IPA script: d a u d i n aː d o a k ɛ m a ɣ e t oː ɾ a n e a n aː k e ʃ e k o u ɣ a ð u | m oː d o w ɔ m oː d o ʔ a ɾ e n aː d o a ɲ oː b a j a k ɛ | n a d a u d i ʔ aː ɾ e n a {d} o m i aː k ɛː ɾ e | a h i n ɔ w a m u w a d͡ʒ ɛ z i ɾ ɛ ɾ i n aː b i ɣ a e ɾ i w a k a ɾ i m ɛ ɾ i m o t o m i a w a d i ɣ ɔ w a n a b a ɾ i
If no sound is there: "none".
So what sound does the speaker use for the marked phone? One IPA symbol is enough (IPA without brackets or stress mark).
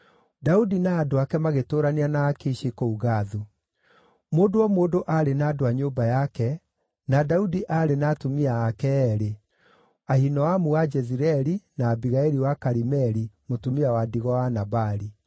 t